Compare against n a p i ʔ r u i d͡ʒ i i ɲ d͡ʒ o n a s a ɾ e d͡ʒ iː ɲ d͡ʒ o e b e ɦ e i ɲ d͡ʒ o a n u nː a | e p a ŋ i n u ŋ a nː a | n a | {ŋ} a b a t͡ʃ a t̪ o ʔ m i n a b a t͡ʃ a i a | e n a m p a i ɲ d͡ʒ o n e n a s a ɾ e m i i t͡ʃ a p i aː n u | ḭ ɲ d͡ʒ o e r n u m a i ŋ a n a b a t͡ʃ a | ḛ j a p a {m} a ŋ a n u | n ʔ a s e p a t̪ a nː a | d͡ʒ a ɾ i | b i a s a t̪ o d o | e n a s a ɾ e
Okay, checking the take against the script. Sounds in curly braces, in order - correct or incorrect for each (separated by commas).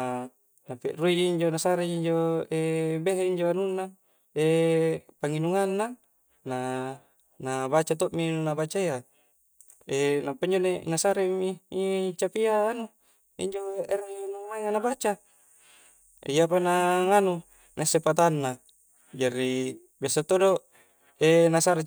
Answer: incorrect, incorrect